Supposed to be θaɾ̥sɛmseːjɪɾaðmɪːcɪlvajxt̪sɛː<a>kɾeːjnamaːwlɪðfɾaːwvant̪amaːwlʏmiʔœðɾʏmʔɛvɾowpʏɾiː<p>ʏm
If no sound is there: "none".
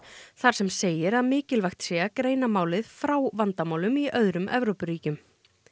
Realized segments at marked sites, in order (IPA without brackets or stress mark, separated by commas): a, c